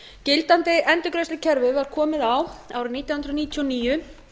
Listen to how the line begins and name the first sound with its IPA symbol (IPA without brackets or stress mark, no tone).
c